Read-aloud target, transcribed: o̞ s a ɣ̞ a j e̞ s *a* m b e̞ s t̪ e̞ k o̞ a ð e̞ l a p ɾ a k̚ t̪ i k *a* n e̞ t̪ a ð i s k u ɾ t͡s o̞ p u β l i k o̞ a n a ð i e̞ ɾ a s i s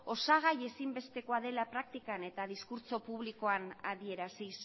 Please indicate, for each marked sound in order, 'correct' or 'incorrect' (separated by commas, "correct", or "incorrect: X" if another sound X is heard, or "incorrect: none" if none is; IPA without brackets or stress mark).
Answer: incorrect: i, correct